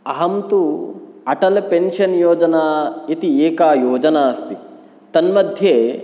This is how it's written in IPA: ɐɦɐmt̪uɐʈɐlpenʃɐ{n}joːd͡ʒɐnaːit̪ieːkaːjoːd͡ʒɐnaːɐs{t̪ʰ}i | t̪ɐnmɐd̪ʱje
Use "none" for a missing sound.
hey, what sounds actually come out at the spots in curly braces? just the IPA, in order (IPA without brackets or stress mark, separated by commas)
n, t̪